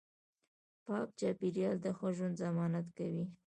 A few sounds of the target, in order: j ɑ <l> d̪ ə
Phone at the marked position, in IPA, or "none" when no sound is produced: l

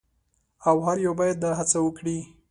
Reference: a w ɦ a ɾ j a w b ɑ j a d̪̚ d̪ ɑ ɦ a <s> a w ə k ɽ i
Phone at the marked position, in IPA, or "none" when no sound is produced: t͡s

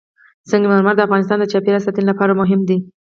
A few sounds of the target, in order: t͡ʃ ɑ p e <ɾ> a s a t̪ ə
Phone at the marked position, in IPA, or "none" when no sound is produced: ɾ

